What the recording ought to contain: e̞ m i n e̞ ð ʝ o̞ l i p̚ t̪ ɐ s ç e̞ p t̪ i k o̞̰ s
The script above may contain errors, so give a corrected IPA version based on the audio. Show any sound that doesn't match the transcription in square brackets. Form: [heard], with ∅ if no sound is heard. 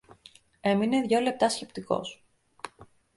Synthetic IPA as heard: e̞ m i n e̞ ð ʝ o̞ l [e] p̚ t̪ ɐ s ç e̞ p t̪ i k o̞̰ s